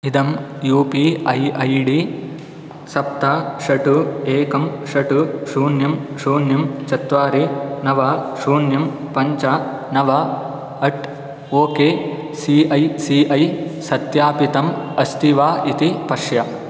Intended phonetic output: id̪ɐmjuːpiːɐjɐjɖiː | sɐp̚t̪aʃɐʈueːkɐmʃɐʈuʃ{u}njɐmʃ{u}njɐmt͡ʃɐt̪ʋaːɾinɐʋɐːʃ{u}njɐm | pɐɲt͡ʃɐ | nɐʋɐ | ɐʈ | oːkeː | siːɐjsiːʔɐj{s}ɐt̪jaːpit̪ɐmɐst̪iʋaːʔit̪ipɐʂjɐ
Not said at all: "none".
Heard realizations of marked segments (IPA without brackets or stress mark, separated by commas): uː, uː, uː, s